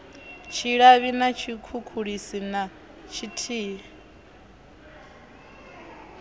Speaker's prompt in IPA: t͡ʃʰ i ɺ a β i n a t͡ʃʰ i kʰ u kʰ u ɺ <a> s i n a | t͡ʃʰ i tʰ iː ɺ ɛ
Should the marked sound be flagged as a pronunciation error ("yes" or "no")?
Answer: yes